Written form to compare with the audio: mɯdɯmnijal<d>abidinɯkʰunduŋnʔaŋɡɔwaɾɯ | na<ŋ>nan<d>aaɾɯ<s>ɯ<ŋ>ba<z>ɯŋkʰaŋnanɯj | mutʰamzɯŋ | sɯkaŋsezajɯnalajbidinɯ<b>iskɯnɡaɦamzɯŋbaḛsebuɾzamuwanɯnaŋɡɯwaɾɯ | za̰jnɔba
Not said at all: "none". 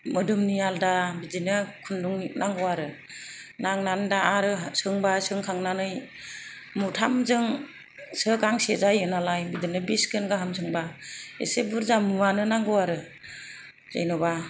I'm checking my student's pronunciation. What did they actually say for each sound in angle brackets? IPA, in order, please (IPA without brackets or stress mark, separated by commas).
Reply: d, ŋ, d, s, ŋ, s, b